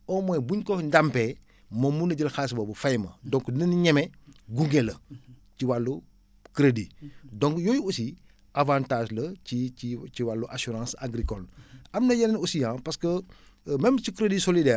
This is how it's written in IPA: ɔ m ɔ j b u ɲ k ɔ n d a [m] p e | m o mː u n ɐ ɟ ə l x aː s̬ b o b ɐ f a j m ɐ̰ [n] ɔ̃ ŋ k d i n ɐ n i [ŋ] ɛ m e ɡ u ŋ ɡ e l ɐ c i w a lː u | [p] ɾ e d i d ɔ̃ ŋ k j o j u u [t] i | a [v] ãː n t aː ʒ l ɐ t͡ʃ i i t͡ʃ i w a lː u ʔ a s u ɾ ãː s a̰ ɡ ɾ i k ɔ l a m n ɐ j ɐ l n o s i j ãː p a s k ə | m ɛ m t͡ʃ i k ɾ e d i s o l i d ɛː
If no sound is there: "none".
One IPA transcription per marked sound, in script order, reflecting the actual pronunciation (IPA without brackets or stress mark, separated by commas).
m, d, ɲ, k, s, v